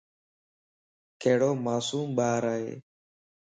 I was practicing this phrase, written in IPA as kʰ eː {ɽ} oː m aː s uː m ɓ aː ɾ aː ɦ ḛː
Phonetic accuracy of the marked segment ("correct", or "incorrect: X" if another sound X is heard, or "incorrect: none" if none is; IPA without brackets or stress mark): correct